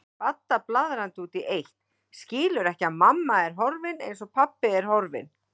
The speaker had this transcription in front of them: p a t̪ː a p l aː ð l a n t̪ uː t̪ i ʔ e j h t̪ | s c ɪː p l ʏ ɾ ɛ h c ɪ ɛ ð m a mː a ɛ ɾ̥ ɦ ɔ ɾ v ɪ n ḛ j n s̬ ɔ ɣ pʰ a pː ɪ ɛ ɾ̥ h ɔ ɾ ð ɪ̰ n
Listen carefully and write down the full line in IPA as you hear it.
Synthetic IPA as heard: p a t̪ː a p l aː ð ɾ a n t̪ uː t̪ i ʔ e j h t̪ | s c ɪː l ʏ ɾ ɛ h c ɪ a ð m a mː a ɛ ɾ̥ ɦ ɔ ɾ v ɪ n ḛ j n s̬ ɔ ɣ pʰ a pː ɪ ɛ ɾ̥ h ɔ ɾ v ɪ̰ n